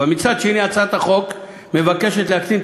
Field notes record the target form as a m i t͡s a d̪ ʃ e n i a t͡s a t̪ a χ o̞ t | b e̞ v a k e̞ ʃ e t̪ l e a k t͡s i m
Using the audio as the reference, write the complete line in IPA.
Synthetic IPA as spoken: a m i t͡s a d̪ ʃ e n i a t͡s a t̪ a χ o̞ k | m e̞ v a k e̞ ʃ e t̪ l e a k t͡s i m